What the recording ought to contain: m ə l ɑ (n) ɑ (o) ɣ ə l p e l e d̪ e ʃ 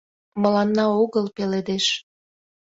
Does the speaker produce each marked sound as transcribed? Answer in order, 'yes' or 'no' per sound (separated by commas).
no, yes